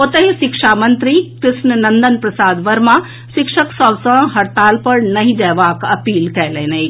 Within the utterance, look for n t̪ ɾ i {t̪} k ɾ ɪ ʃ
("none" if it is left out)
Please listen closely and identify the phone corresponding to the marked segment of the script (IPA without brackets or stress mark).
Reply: none